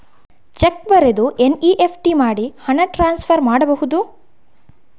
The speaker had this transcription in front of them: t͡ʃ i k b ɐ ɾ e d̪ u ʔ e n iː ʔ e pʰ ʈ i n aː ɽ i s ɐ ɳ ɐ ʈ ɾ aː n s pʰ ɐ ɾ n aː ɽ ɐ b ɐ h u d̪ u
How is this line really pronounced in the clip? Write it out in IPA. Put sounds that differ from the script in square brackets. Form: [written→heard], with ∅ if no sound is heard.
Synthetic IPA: t͡ʃ [i→e] k b ɐ ɾ e d̪ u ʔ e n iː ʔ e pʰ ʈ i [n→m] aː ɽ i [s→h] ɐ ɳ ɐ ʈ ɾ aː n s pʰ ɐ ɾ [n→m] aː ɽ ɐ b ɐ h u d̪ u